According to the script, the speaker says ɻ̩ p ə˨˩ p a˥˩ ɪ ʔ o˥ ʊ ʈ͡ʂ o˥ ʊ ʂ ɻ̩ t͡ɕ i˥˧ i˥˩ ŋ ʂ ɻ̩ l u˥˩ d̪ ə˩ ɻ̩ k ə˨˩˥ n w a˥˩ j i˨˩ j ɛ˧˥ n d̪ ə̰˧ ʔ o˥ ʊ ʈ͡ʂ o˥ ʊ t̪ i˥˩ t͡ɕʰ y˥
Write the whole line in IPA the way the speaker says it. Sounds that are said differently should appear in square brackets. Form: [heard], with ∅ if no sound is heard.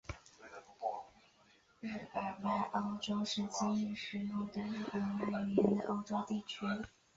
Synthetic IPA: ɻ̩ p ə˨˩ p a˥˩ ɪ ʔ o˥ ʊ ʈ͡ʂ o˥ ʊ ʂ ɻ̩ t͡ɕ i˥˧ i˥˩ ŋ ʂ ɻ̩ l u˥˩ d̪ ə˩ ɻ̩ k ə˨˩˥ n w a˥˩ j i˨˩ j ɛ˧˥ n d̪ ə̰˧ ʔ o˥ ʊ ʈ͡ʂ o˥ ʊ t̪ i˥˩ t͡ɕʰ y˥